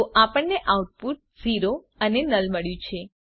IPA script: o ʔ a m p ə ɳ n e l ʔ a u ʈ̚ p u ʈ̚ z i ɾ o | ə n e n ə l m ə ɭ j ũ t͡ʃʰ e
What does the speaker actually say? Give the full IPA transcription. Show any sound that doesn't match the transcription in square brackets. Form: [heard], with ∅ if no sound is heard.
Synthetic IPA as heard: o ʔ a [∅] p ə ɳ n e [∅] ʔ a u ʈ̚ p u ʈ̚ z i ɾ o | ə n e n ə l m ə ɭ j ũ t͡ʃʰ e